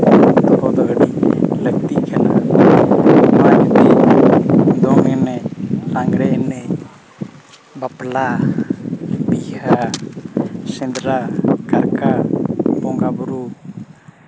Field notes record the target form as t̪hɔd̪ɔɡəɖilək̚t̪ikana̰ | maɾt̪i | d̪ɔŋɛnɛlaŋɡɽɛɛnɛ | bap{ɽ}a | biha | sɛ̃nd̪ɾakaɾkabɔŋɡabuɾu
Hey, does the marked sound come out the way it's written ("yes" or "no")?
no